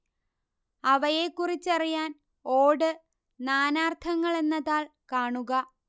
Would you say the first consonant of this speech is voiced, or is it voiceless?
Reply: voiced